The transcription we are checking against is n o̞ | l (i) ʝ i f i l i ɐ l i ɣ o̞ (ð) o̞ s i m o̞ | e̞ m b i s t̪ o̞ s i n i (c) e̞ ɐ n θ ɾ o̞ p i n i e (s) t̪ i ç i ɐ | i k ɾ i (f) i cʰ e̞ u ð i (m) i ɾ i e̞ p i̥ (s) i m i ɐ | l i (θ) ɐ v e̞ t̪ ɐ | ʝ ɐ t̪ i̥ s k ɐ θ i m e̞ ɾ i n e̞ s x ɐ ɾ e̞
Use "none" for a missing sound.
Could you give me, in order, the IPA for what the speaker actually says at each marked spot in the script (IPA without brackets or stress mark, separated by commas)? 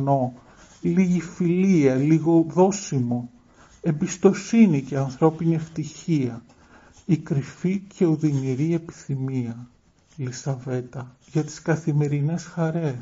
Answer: i, ð, c, f, f, n, θ, s